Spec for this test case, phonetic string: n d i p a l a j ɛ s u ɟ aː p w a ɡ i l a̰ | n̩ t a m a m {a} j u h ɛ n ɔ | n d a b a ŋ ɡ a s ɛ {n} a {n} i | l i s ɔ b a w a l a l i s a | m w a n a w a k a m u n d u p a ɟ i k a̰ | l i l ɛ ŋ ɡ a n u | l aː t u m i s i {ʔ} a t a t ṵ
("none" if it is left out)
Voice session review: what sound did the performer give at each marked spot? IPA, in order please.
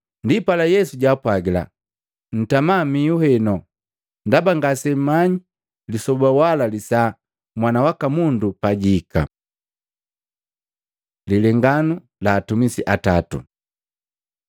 i, m, ɲ, ʔ

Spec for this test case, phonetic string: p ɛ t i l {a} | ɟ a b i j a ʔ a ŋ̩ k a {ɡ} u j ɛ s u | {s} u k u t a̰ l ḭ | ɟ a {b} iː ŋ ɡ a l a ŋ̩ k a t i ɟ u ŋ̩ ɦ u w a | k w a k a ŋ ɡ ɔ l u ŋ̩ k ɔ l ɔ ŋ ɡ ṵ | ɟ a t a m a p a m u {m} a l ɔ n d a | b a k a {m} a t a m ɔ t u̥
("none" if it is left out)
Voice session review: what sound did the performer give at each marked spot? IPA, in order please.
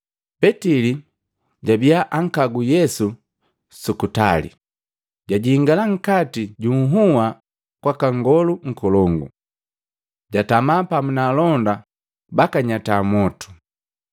i, ɡ, s, ɟ, n, ɲ

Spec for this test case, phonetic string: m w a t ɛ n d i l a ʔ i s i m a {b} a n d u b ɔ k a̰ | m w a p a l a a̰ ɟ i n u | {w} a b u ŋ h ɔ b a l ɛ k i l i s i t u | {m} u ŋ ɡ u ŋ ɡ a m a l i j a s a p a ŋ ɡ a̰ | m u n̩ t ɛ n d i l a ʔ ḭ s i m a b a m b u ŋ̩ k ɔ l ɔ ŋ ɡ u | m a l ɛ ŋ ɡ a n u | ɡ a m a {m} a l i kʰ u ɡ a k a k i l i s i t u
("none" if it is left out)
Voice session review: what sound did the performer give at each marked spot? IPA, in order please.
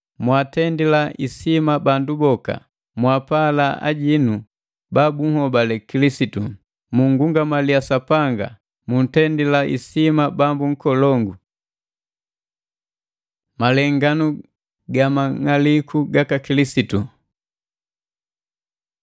b, b, m, ŋ

